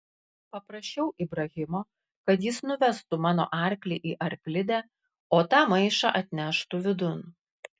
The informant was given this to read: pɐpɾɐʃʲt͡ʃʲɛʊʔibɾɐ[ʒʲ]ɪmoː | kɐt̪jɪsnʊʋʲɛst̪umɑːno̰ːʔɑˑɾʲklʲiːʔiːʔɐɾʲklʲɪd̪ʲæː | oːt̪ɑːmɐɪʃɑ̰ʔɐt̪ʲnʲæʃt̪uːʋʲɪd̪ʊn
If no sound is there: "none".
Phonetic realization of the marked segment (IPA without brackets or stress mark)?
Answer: ɣʲ